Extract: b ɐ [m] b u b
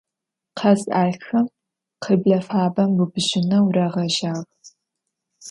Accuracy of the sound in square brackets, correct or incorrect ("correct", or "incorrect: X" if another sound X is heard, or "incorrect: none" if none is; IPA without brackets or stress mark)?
correct